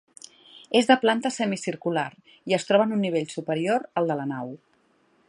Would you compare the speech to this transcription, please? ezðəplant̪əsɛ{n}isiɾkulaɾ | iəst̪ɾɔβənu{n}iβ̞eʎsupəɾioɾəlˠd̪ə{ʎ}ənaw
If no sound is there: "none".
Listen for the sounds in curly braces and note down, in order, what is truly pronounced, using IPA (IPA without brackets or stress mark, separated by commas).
m, nː, l